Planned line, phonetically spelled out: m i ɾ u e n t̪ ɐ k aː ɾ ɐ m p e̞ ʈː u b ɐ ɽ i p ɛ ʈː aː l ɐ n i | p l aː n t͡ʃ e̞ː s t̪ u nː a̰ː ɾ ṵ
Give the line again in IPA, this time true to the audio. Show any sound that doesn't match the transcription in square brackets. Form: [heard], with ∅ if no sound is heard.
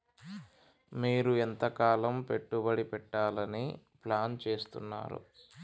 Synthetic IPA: m [iː] ɾ u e n t̪ ɐ k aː [l] ɐ m p e̞ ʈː u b ɐ ɽ i p ɛ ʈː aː l ɐ n i | p l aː n t͡ʃ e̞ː s t̪ u nː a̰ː ɾ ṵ